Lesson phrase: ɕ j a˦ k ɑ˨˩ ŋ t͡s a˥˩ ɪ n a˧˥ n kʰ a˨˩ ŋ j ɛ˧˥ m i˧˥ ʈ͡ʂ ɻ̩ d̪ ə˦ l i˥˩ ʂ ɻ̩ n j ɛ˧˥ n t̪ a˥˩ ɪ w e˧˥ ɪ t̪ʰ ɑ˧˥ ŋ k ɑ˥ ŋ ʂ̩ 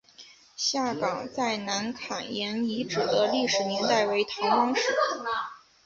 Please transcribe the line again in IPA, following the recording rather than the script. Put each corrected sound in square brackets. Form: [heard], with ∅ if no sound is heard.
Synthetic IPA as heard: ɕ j [a˥˩] k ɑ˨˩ ŋ t͡s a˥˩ ɪ n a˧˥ n kʰ a˨˩ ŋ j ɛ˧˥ [n] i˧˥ ʈ͡ʂ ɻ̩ d̪ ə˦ l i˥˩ ʂ ɻ̩ n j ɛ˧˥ n t̪ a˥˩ ɪ w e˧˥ ɪ t̪ʰ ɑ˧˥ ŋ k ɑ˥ ŋ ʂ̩